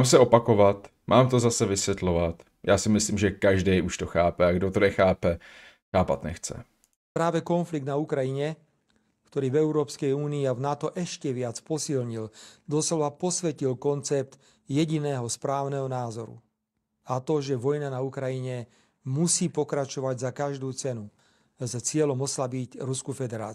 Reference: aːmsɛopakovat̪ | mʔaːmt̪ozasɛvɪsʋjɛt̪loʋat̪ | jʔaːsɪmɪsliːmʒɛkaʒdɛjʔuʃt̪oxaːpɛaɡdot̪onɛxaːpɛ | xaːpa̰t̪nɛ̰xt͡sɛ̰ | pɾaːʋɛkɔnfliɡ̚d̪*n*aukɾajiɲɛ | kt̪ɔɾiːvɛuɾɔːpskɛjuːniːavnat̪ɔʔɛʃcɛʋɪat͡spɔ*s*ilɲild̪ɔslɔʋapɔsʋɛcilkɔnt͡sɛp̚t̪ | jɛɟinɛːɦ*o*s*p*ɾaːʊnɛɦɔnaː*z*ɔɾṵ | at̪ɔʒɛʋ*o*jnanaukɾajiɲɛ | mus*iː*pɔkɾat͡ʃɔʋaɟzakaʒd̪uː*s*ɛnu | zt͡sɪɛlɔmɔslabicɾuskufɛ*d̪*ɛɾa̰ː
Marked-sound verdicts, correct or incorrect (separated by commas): correct, correct, incorrect, correct, correct, incorrect, correct, incorrect, correct